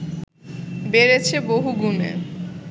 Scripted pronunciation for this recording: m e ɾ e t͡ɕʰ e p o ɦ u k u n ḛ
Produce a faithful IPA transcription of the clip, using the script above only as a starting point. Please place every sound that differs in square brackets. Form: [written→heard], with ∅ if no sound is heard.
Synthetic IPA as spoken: [m→b] e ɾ e t͡ɕʰ e [p→b] o ɦ u [k→ɡ] u [n→m] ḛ